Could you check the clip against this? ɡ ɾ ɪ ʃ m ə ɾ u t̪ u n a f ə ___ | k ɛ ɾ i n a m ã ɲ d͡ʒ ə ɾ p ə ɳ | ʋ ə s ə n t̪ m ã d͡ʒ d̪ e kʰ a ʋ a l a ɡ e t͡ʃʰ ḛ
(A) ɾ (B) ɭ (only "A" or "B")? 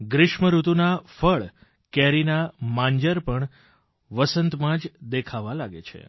B